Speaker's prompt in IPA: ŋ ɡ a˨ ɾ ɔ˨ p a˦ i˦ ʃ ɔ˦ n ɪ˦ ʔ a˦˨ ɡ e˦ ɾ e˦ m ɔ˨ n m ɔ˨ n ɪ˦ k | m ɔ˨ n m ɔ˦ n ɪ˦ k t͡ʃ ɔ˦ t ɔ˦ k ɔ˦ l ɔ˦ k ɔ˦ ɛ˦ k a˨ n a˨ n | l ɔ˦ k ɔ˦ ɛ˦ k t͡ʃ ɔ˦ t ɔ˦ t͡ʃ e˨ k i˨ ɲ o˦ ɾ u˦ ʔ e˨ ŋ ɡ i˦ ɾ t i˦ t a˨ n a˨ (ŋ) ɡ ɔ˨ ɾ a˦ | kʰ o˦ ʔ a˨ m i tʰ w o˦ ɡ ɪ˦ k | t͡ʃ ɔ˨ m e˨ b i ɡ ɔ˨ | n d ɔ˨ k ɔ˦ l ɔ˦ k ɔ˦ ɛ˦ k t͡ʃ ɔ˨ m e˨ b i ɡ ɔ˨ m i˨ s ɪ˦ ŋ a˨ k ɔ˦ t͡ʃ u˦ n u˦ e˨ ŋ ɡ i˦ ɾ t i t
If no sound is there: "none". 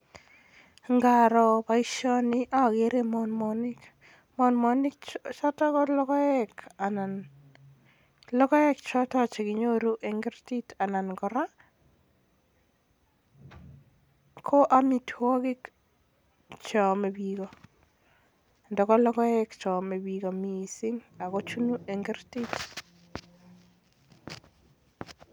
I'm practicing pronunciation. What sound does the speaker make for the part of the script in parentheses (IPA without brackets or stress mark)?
n